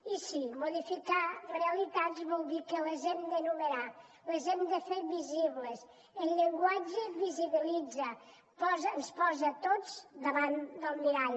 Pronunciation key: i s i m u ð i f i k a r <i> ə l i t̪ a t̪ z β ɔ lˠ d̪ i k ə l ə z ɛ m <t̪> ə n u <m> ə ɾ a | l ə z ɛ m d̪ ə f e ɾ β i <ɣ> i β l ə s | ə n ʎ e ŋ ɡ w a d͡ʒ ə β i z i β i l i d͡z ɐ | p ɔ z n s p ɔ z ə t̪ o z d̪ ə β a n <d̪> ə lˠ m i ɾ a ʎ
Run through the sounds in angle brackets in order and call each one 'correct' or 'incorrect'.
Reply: incorrect: e, incorrect: d̪, correct, incorrect: z, correct

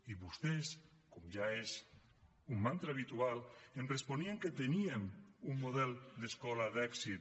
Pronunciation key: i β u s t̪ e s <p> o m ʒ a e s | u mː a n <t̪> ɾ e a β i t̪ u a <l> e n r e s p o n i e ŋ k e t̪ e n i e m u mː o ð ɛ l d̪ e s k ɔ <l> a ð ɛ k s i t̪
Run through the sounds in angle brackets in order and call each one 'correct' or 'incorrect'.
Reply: incorrect: k, correct, correct, correct

